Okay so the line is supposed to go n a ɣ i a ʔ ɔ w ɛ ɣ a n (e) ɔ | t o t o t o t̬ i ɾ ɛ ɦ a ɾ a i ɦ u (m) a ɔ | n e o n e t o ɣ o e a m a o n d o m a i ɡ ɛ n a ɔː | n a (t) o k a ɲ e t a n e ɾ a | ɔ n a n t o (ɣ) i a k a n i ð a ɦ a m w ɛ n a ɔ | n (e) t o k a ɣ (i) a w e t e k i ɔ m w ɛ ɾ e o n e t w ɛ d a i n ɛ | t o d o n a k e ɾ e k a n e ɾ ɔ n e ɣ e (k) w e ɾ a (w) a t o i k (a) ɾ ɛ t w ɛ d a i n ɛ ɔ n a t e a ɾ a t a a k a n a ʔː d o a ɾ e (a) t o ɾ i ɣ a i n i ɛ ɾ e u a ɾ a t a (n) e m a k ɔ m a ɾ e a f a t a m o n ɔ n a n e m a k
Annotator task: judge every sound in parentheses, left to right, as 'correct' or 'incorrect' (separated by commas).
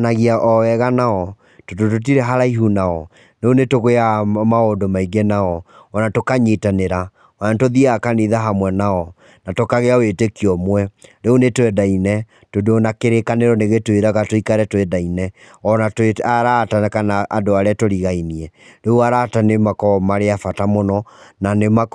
incorrect, incorrect, correct, incorrect, incorrect, incorrect, incorrect, incorrect, correct, correct, correct